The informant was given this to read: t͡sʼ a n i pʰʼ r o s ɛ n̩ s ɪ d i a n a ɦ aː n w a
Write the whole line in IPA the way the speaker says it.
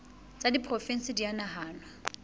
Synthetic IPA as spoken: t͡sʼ a d i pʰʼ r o f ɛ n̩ s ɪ d i a n a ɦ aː n w a